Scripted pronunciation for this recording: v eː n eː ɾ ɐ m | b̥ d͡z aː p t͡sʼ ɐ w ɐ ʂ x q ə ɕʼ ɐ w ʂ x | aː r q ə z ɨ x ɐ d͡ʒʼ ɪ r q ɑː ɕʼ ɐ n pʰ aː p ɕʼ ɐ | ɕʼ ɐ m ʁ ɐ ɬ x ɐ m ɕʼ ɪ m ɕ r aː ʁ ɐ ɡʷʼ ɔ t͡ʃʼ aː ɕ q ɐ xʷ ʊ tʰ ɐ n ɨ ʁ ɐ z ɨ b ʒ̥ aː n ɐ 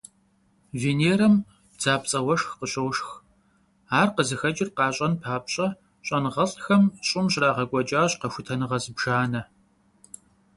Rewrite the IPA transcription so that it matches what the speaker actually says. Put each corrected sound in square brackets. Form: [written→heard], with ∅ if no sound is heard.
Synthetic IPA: v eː n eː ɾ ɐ m | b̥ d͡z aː p t͡sʼ ɐ w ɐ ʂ x q ə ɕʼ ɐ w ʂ x | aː r q ə z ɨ x ɐ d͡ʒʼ ɪ r q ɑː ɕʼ ɐ n pʰ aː p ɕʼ ɐ | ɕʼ ɐ [m→n] ʁ ɐ ɬ x ɐ m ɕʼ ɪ m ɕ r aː ʁ ɐ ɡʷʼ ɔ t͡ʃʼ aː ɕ q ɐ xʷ ʊ tʰ ɐ n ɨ ʁ ɐ z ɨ b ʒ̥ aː n ɐ